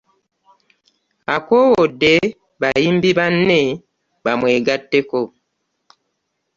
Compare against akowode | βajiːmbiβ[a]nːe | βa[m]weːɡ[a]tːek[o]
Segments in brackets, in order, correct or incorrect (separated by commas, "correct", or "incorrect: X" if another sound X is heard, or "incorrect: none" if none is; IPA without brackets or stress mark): correct, correct, correct, correct